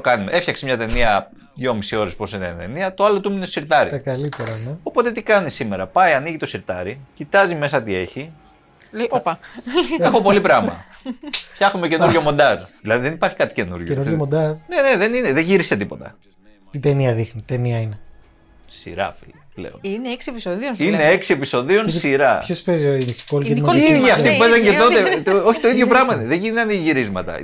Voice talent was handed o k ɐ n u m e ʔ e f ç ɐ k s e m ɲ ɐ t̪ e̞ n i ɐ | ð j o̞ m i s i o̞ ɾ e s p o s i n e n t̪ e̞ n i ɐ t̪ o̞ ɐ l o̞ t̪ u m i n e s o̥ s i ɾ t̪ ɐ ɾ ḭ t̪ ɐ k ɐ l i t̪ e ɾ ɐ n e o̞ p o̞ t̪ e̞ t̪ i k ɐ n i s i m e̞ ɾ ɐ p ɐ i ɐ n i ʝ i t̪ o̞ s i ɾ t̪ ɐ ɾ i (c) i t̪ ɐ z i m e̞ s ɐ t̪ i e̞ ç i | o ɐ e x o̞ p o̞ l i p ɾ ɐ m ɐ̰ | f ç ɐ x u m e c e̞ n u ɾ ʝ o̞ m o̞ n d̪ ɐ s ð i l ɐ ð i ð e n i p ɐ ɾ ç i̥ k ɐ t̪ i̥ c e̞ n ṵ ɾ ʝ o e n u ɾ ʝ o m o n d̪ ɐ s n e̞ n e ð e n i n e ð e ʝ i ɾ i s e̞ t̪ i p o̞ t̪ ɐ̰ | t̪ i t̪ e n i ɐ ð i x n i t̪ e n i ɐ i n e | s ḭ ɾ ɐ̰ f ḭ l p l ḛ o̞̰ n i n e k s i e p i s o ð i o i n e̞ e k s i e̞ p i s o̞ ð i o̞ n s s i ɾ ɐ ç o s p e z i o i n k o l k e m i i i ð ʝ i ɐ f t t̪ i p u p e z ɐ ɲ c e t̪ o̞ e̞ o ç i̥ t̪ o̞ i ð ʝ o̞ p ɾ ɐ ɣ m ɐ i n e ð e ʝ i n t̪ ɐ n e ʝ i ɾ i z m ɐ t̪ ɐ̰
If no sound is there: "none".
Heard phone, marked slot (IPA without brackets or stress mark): c